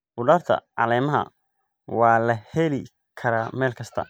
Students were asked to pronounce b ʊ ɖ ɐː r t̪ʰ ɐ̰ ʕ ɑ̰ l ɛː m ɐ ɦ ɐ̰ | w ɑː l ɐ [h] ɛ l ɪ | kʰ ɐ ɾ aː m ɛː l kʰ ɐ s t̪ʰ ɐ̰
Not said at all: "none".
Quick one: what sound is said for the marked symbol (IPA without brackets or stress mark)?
h